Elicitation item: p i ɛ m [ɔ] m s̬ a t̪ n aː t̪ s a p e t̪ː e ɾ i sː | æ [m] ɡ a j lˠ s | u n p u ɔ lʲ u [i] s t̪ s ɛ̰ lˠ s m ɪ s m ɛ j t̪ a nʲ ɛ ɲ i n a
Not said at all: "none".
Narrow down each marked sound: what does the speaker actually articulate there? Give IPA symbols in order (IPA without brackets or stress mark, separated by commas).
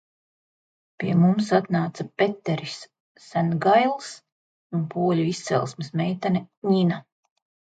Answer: u, n, i